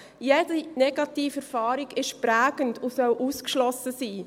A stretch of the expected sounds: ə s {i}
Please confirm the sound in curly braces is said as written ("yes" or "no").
no